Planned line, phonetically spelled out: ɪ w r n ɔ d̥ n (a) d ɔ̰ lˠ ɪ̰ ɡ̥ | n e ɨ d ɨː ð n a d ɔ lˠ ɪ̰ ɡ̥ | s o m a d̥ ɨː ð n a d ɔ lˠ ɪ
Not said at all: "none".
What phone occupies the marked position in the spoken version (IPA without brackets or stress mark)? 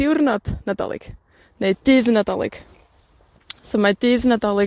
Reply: a